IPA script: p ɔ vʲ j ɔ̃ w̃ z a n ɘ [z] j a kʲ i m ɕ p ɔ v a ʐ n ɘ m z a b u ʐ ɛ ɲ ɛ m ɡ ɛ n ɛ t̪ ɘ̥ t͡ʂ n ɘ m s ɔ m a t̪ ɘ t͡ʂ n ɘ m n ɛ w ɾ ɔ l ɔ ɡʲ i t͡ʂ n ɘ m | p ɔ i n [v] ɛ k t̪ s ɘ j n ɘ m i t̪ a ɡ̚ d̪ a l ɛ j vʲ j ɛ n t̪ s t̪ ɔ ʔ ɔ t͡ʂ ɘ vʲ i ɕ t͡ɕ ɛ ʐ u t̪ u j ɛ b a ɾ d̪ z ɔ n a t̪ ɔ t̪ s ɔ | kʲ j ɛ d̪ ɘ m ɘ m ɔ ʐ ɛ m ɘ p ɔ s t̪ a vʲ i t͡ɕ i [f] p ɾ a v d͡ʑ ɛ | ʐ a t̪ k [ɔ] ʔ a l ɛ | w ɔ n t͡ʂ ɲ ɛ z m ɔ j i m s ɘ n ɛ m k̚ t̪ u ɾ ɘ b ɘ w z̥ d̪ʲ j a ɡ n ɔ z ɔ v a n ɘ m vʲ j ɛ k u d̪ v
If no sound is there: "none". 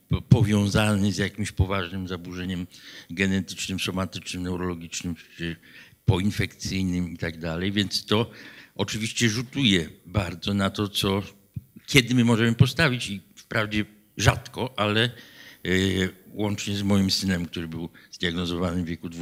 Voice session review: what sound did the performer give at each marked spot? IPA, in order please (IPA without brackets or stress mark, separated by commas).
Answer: z, f, f, ɔ